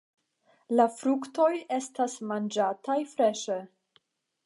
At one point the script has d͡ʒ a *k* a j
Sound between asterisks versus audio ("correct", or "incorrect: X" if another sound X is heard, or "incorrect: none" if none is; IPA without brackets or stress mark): incorrect: t